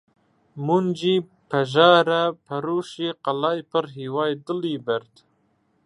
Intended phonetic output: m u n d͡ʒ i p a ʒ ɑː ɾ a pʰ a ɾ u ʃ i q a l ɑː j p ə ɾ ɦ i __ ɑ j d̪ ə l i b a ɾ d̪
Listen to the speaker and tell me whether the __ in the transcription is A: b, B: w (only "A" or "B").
B